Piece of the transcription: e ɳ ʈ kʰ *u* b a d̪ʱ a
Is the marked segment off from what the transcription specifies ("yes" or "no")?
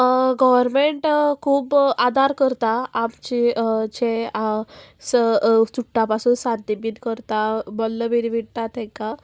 yes